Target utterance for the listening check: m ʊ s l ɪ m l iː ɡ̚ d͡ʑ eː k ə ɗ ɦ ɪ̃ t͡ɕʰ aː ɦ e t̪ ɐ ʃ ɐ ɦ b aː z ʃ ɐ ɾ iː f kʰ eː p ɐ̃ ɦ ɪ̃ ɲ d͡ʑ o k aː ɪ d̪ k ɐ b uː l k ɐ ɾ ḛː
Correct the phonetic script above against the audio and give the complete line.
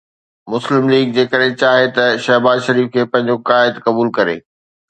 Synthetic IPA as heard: m ʊ s l ɪ m l iː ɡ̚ d͡ʑ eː k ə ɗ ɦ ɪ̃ t͡ɕ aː ɦ e t̪ ɐ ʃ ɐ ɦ b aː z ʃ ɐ ɾ iː f kʰ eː p ɐ̃ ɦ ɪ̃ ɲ d͡ʑ o k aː ɪ d̪ k ɐ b uː l k ɐ ɾ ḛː